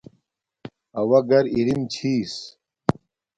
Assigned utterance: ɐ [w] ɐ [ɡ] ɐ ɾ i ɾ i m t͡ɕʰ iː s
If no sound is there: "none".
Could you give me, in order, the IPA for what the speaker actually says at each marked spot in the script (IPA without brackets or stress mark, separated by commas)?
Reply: w, ɡ